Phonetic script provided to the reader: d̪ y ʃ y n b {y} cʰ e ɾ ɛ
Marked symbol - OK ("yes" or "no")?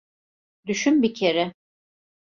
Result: no